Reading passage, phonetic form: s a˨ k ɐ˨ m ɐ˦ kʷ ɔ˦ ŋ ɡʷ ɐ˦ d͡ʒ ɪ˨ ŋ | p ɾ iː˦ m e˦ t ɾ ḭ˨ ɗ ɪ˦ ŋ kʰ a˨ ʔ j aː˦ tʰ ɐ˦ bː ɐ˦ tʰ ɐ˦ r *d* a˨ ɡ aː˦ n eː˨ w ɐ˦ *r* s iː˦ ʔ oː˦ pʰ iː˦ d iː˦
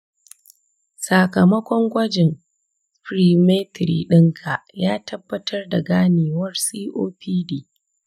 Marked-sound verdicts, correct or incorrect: correct, correct

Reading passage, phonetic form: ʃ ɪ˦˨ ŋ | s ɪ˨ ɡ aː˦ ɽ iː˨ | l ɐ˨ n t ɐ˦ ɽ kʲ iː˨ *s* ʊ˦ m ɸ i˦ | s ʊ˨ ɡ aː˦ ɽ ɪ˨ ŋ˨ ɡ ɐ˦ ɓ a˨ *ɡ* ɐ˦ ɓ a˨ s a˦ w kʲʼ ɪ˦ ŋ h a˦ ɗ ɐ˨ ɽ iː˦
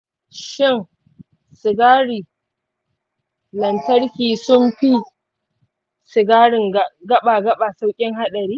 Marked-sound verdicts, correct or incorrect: correct, correct

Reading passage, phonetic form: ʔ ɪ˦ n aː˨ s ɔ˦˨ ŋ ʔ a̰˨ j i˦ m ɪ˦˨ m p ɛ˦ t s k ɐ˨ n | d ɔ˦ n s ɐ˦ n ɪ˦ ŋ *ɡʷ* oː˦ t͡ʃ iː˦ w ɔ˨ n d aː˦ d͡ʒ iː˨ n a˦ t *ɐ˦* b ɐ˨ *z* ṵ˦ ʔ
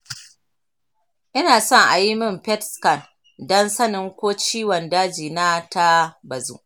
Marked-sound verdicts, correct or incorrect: incorrect, incorrect, correct

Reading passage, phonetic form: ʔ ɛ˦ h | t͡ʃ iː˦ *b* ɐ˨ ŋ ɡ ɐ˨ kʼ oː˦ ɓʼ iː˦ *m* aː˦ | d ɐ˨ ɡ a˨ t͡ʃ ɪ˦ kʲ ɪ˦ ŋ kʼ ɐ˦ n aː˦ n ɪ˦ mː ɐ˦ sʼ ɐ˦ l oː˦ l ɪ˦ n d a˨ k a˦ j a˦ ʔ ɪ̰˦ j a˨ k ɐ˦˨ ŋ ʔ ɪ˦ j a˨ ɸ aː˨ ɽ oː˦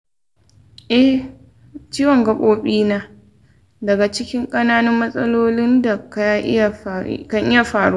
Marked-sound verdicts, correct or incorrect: incorrect, incorrect

